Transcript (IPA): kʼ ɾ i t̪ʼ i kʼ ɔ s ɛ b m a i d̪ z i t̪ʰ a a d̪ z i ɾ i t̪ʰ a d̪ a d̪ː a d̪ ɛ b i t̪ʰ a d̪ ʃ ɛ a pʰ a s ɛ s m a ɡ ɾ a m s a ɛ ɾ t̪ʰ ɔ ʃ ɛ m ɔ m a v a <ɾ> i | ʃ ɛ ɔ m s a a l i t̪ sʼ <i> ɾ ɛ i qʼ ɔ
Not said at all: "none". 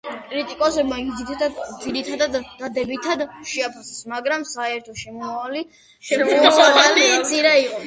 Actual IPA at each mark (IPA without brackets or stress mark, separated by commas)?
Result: l, i